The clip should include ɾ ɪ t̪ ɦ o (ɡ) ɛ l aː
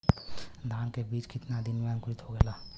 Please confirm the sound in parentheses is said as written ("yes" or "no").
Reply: yes